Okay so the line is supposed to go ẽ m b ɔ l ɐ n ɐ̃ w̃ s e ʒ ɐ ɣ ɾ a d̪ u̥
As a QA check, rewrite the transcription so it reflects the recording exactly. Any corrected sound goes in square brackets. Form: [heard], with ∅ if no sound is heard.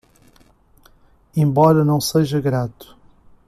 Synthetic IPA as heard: ẽ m b ɔ [ɾ] ɐ n ɐ̃ w̃ s e ʒ ɐ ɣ ɾ a [t̪] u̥